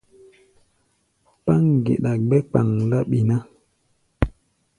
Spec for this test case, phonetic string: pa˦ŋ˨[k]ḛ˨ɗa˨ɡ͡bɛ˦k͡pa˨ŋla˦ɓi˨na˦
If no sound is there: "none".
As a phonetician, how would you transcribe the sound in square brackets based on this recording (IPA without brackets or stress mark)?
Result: ɡ